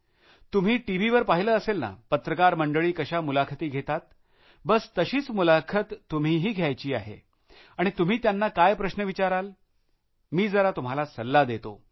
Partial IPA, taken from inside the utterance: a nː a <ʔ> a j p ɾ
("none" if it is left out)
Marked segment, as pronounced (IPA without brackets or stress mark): k